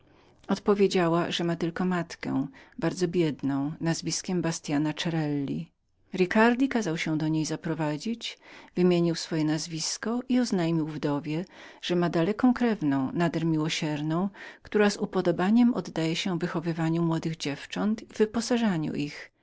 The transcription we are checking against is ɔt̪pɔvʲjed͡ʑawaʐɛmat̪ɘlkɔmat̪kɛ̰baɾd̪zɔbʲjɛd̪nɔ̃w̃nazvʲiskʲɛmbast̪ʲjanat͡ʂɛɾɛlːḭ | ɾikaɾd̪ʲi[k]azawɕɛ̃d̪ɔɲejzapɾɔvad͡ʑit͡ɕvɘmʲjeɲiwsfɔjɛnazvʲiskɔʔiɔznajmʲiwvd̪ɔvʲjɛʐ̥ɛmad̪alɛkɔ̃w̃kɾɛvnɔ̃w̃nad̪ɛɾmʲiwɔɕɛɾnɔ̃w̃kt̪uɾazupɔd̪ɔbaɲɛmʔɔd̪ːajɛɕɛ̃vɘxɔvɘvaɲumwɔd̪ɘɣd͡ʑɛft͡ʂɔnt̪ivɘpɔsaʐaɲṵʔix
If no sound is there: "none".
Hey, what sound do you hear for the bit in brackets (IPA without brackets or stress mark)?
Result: k